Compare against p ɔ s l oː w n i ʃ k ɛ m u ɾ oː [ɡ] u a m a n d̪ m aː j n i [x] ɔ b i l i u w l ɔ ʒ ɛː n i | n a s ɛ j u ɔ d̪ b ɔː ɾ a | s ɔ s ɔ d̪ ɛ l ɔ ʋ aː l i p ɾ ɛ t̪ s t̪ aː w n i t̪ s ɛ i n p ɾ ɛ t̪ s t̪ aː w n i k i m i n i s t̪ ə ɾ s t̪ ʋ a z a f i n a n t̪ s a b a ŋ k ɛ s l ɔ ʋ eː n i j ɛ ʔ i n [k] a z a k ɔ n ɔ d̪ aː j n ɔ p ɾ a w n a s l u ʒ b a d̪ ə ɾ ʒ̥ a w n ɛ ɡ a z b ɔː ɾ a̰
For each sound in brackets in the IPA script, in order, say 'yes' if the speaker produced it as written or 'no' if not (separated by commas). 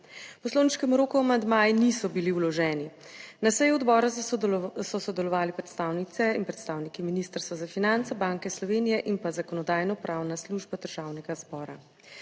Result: no, no, no